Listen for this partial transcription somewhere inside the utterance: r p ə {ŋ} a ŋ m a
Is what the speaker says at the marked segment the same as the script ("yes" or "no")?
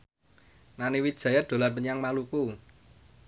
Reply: no